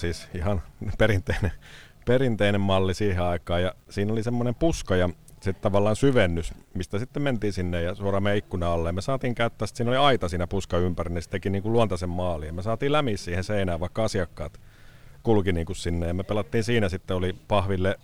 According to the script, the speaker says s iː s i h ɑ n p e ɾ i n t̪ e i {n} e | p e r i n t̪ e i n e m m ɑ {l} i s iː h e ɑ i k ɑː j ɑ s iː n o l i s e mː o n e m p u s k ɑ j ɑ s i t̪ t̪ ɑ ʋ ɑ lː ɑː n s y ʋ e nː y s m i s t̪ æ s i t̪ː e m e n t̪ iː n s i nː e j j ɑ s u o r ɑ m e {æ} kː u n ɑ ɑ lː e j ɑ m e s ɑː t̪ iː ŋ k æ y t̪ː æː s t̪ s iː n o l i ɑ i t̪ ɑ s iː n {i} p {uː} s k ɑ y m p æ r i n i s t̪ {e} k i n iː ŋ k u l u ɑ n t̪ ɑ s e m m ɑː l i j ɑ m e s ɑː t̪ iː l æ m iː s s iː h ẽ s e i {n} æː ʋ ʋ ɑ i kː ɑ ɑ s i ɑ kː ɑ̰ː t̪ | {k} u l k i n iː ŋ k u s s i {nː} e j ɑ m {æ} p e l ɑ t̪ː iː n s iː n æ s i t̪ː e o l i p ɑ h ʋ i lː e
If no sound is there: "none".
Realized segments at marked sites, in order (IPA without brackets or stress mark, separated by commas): n, lː, i, æ, u, e, n, k, nː, e